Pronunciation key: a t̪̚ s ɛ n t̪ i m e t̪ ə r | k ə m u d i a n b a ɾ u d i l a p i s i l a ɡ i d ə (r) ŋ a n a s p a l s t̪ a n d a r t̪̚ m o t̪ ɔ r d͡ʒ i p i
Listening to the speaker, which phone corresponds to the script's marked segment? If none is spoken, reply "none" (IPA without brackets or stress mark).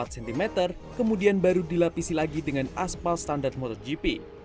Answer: none